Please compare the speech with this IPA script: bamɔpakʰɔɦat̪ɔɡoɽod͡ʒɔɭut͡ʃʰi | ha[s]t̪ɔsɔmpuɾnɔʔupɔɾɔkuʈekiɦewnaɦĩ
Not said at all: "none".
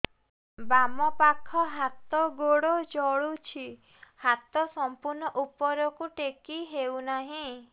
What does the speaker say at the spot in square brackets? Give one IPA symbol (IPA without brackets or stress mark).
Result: none